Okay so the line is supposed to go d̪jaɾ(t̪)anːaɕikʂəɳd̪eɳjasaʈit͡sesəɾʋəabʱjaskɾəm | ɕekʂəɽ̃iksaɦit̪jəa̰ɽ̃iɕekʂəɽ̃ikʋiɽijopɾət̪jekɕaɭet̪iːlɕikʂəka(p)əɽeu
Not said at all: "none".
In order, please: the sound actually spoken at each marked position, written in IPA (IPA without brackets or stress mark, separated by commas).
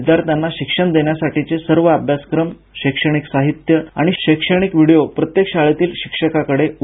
t̪, k